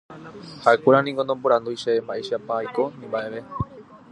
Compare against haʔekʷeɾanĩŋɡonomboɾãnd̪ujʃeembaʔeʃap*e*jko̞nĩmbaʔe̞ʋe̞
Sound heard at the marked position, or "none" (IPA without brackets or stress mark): a